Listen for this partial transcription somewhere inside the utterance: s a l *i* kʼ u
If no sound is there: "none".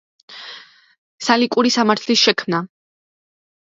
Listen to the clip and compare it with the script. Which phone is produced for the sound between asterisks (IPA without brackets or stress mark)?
i